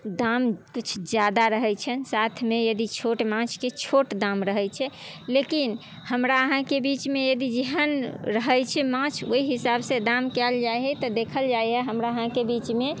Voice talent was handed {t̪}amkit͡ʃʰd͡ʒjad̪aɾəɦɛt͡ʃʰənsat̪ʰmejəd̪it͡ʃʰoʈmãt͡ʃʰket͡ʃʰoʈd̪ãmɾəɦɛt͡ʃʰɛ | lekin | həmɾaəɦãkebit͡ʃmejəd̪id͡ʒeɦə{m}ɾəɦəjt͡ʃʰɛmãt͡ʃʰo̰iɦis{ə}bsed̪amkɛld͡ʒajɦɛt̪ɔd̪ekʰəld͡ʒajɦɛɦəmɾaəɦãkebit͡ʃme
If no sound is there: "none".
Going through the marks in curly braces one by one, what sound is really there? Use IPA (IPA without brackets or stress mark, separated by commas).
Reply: d̪, n, a